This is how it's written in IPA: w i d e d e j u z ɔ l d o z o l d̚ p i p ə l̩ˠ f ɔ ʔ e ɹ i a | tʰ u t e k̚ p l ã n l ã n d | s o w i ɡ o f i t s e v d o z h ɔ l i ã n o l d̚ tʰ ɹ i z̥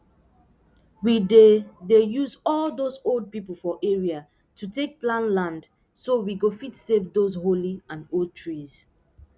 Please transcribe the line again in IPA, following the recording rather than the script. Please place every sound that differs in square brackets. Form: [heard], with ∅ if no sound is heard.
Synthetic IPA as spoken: w i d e d e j u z ɔ l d o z o l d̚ p i p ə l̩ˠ f ɔ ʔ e ɹ i a | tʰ u t e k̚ p l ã n l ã n d | s o w i ɡ o f i t s e v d o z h [o] l i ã n o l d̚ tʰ ɹ i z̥